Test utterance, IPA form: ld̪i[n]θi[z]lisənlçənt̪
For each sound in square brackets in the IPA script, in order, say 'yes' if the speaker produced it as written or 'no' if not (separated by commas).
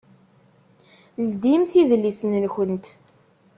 no, no